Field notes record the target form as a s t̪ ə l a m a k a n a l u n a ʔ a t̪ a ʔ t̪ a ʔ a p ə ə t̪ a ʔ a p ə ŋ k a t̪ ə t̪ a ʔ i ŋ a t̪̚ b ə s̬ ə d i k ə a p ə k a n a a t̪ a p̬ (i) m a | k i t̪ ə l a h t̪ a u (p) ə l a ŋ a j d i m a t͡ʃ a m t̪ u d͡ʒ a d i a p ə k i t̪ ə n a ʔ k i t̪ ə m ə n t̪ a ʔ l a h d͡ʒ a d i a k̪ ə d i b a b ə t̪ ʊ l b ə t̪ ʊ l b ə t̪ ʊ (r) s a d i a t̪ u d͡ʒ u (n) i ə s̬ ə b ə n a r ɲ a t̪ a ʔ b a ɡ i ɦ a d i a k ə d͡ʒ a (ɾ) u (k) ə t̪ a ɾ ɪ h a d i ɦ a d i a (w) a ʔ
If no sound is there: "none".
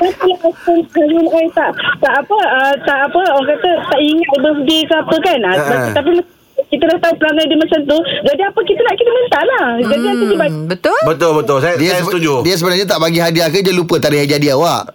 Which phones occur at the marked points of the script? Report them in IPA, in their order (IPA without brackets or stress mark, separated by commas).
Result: i, p, l, d, l, p, w